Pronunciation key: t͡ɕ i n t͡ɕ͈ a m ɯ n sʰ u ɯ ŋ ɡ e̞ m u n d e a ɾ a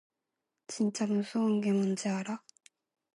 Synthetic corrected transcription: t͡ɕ i n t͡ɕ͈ a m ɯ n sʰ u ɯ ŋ ɡ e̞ m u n d͡ʑ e a ɾ a

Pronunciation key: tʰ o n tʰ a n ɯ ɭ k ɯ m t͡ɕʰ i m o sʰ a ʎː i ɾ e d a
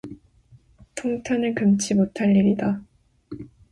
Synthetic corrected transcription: tʰ o ŋ tʰ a n ɯ ɭ k ɯ m t͡ɕʰ i m o tʰ a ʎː i ɾ i d a

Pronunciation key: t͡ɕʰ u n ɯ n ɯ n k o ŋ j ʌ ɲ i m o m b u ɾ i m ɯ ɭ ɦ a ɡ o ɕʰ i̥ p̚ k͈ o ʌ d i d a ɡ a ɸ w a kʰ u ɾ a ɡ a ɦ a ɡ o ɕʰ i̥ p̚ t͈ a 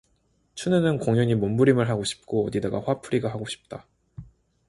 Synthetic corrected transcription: t͡ɕʰ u n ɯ n ɯ n k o ŋ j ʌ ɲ i m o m b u ɾ i m ɯ ɭ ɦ a ɡ o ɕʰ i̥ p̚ k͈ o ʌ d i d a ɡ a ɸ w a pʰ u ɾ i ɡ a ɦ a ɡ o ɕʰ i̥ p̚ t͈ a

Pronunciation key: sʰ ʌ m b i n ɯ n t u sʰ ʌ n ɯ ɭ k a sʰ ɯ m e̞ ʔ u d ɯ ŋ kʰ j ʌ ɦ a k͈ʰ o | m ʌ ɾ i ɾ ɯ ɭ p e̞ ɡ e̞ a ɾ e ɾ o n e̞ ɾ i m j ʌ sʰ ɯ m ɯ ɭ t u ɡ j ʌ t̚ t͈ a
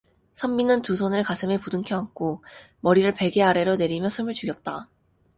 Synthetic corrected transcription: sʰ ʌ m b i n ɯ n t u sʰ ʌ n ɯ ɭ k a sʰ ɯ m e̞ p u d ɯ ŋ kʰ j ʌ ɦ a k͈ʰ o | m ʌ ɾ i ɾ ɯ ɭ p e̞ ɡ e̞ a ɾ e ɾ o n e̞ ɾ i m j ʌ sʰ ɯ m ɯ ɭ t͡ɕ u ɡ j ʌ t̚ t͈ a

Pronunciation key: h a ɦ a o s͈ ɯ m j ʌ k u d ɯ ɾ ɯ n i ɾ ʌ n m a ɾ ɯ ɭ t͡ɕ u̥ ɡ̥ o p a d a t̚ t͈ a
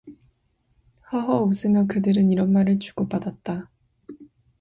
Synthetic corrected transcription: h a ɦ ʌ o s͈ ɯ m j ʌ k ɯ d ɯ ɾ ɯ n i ɾ ʌ n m a ɾ ɯ ɭ t͡ɕ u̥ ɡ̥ o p a d a t̚ t͈ a

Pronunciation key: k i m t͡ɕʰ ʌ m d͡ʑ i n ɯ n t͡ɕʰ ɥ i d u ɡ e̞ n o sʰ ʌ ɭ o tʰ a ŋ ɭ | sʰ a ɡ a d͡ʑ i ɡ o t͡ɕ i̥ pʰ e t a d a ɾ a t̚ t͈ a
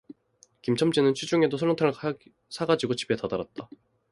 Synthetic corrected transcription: k i m t͡ɕʰ ʌ m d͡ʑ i n ɯ n t͡ɕʰ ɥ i d͡ʑ u ŋ e̞ d o sʰ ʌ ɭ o tʰ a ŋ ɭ | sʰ a ɡ a d͡ʑ i ɡ o t͡ɕ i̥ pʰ e t a d a ɾ a t̚ t͈ a

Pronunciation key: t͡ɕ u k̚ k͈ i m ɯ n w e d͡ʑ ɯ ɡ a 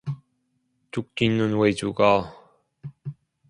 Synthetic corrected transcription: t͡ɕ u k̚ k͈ i n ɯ n w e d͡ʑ u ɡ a

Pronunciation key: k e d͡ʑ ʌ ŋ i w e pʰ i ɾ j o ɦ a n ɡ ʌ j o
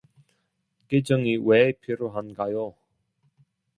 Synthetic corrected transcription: k e d͡ʑ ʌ ŋ i w e pʰ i ɾ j o ɦ a n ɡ a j o

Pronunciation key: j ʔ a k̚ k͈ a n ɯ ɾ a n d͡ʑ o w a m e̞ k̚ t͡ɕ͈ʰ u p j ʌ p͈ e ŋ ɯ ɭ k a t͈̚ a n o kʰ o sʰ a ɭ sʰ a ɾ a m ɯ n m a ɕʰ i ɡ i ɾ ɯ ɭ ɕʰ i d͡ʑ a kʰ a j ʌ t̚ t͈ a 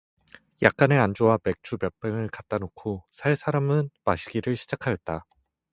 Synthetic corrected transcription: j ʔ a k̚ k͈ a n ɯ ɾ a n d͡ʑ o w a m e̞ k̚ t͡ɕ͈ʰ u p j ʌ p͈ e ŋ ɯ ɭ k a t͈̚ a n o kʰ o sʰ a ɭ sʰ a ɾ a m ɯ n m a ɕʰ i ɡ i ɾ ɯ ɭ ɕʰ i d͡ʑ a kʰ a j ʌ t̚ t͈ a

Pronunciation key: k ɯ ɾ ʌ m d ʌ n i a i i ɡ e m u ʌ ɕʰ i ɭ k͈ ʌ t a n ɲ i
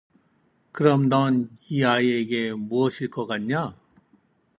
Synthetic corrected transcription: k ɯ ɾ ʌ m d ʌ n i a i e ɡ e m u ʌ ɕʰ i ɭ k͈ ʌ k a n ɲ a

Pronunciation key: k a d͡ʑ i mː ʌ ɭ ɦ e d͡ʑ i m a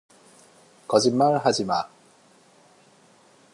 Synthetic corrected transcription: k ʌ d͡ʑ i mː a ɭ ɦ a d͡ʑ i m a

